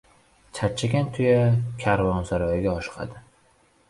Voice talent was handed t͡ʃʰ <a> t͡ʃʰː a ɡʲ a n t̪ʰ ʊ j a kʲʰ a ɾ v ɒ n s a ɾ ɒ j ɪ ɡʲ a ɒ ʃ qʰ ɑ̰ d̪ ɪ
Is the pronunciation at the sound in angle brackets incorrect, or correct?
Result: correct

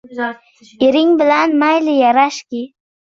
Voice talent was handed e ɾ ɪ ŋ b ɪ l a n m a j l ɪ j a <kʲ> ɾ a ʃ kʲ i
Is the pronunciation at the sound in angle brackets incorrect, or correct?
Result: incorrect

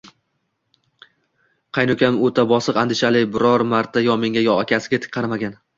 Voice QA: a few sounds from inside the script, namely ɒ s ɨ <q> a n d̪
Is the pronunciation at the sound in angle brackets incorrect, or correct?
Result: correct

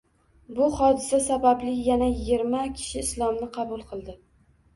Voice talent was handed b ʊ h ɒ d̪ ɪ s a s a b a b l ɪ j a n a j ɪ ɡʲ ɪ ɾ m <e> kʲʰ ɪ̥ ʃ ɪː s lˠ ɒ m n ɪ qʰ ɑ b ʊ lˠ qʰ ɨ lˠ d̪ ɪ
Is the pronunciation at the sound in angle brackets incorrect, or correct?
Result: incorrect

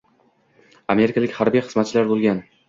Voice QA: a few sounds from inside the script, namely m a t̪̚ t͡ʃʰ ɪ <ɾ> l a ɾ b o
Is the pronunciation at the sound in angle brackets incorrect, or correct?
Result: incorrect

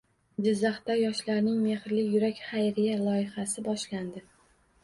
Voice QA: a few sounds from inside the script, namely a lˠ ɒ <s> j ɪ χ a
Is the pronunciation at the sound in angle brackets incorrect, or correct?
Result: incorrect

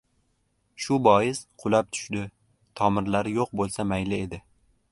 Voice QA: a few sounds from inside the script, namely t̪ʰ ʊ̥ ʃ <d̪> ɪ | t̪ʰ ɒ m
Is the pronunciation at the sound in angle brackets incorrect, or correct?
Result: correct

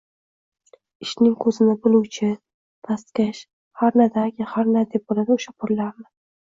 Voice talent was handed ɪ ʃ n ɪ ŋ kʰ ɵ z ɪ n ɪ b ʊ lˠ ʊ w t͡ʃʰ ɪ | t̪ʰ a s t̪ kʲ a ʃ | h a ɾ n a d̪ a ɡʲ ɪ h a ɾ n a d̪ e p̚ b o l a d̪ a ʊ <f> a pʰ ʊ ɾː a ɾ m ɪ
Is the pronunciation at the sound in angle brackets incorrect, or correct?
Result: incorrect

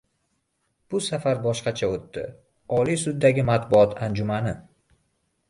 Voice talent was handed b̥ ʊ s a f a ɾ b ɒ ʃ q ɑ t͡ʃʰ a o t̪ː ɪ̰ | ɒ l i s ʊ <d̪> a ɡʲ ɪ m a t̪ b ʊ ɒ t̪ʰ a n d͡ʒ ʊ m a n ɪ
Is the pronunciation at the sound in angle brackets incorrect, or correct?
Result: incorrect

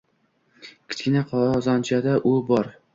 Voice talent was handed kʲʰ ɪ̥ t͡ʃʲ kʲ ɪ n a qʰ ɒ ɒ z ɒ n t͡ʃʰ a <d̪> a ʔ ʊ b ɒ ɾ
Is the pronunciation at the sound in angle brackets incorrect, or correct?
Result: correct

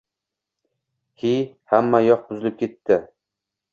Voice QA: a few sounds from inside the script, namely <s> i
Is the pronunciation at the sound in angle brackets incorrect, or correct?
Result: incorrect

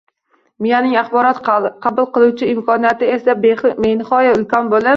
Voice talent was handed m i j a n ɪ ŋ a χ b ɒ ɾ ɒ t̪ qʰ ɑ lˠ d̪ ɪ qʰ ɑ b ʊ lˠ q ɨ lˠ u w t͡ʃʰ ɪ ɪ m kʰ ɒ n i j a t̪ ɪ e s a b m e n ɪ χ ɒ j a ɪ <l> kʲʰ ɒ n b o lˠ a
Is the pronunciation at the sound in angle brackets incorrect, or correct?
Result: correct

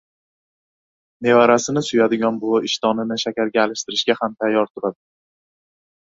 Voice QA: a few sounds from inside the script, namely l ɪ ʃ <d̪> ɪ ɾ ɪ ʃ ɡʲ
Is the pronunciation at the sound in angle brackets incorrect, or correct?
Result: incorrect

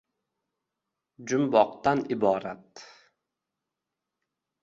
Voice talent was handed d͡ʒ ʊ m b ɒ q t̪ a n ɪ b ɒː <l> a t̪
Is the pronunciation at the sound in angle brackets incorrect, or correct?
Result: incorrect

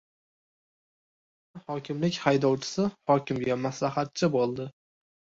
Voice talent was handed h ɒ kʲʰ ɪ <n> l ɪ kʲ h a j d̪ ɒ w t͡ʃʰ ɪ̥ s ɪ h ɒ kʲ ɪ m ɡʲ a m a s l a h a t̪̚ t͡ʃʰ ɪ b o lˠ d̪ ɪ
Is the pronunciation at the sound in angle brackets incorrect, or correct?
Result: incorrect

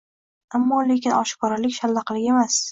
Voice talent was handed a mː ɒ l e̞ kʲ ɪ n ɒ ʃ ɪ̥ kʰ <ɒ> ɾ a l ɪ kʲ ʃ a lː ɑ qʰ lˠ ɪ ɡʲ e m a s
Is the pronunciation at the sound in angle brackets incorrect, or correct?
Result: correct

